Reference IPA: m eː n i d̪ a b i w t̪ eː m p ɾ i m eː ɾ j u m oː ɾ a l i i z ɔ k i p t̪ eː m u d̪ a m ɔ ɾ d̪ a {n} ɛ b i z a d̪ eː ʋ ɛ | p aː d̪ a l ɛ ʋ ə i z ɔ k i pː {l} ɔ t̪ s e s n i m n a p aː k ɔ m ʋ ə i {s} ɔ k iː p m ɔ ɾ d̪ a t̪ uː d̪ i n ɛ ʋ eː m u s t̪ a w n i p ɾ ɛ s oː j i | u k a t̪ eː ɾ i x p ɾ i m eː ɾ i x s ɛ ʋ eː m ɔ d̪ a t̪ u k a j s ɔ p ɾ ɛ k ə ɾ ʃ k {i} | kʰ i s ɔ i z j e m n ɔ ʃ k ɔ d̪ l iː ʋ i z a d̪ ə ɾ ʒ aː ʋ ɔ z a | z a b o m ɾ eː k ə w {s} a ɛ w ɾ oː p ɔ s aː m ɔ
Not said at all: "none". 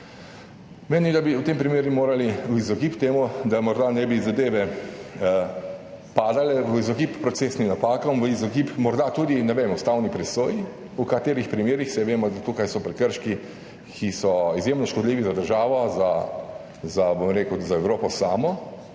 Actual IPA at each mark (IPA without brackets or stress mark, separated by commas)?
n, ɾ, z, i, z